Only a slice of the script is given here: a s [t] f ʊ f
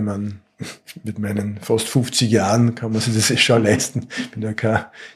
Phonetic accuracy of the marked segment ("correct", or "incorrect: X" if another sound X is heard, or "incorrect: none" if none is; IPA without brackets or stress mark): correct